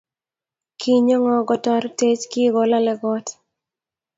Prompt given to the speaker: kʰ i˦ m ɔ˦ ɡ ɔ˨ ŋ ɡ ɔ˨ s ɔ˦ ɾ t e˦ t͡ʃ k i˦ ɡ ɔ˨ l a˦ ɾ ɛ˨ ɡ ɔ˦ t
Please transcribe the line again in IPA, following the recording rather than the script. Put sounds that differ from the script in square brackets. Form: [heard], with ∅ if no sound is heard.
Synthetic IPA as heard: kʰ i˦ [ɲ] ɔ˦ [ŋ] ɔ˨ [∅] ɡ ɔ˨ [t] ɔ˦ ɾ t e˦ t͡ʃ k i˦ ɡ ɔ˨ l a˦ [l] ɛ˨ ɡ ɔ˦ t

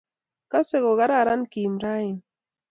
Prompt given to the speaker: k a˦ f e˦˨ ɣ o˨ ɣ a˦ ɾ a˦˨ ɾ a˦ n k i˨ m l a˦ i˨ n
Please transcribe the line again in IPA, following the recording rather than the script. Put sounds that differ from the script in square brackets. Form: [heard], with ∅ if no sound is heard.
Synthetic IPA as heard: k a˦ [s] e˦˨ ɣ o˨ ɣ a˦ ɾ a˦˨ ɾ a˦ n k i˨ m [ɾ] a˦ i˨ n

